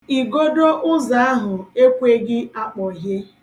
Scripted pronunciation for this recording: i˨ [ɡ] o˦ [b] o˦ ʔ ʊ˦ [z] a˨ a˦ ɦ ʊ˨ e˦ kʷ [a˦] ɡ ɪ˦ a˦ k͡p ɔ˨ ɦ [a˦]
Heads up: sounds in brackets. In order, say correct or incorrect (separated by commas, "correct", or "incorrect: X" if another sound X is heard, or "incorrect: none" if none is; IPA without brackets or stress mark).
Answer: correct, incorrect: d, correct, incorrect: e˦, incorrect: e˦